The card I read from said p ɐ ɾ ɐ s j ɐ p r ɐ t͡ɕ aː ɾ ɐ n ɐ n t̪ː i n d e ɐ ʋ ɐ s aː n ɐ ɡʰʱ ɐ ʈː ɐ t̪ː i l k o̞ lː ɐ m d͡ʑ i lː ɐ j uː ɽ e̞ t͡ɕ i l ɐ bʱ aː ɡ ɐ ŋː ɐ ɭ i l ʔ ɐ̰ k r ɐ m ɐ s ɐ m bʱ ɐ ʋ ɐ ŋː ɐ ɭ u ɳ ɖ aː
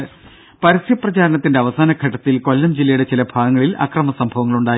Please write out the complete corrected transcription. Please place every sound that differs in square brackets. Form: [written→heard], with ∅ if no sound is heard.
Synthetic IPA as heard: p ɐ ɾ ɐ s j ɐ p r ɐ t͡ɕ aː ɾ ɐ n ɐ [n→∅] t̪ː i n d e ɐ ʋ ɐ s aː n ɐ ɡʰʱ ɐ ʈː ɐ t̪ː i l k o̞ lː ɐ m d͡ʑ i lː ɐ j [uː→u] ɽ e̞ t͡ɕ i l ɐ bʱ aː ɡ ɐ ŋː ɐ ɭ i l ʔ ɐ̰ k r ɐ m ɐ s ɐ m bʱ ɐ ʋ ɐ ŋː ɐ ɭ u ɳ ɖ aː